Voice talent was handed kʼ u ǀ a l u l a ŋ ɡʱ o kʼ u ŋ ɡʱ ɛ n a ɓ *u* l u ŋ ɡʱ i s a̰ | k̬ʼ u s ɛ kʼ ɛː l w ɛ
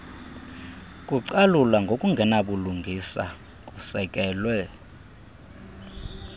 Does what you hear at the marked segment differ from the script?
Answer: no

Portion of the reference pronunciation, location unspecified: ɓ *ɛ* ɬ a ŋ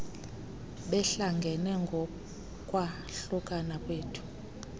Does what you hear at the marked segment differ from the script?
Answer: no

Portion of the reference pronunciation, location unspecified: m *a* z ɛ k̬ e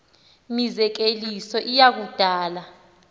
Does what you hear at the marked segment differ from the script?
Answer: yes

